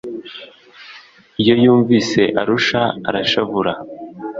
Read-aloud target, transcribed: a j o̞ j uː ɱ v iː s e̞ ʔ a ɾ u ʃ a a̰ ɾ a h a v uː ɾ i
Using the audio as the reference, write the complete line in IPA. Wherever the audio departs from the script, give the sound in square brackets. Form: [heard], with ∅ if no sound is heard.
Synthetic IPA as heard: [i] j o̞ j uː ɱ v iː s e̞ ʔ a ɾ u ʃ a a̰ ɾ a [ʃ] a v [u] ɾ [a]